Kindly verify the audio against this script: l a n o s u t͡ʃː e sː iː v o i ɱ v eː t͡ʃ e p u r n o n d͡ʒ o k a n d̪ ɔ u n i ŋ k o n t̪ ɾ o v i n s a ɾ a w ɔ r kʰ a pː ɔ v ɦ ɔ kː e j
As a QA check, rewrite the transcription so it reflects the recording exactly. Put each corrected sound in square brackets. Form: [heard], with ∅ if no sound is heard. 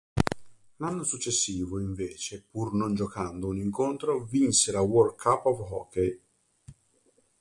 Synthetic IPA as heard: l a [nː] o s u t͡ʃː e sː iː v o i ɱ v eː t͡ʃ e p u r n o n d͡ʒ o k a n d̪ [o] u n i ŋ k o n t̪ ɾ o v i n s [e] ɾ a w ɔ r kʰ a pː ɔ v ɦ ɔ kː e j